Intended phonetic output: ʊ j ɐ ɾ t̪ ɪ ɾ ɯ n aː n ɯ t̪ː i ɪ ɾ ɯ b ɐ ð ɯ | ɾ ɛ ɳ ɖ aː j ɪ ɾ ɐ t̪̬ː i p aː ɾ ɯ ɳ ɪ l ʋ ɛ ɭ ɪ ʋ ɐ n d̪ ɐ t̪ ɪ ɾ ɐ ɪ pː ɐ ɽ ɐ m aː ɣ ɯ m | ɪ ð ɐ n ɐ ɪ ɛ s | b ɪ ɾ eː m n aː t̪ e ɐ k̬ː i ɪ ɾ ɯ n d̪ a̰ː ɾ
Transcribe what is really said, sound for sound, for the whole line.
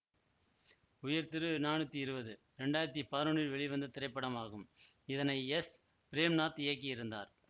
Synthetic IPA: ʊ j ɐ ɾ t̪ ɪ ɾ ɯ n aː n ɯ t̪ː i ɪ ɾ ɯ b ɐ ð ɯ | ɾ ɛ ɳ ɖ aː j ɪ ɾ ɐ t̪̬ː i p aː ɾ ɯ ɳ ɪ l ʋ ɛ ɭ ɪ ʋ ɐ n d̪ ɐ t̪ ɪ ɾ ɐ ɪ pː ɐ ɽ ɐ m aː ɣ ɯ m | ɪ ð ɐ n ɐ ɪ ɛ s | p ɪ ɾ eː m n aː t̪ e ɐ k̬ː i ɪ ɾ ɯ n d̪ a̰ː ɾ